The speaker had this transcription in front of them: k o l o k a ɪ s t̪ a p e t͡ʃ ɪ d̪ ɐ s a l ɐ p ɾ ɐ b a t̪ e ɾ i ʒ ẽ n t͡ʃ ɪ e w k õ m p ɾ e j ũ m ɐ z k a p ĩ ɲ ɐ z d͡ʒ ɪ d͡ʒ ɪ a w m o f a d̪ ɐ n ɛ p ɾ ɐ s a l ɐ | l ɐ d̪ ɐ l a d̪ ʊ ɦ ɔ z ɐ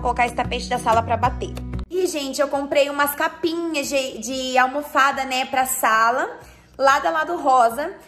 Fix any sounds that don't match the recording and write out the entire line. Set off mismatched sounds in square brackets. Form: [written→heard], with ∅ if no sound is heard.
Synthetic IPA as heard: k o l o k a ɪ s t̪ a p e t͡ʃ ɪ d̪ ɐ s a l ɐ p ɾ ɐ b a t̪ e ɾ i ʒ ẽ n t͡ʃ ɪ e w k õ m p ɾ e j ũ m ɐ [z→s] k a p ĩ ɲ ɐ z d͡ʒ ɪ d͡ʒ ɪ a w m o f a d̪ ɐ n ɛ p ɾ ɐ s a l ɐ | l [ɐ→a] d̪ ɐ l a d̪ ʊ ɦ ɔ z ɐ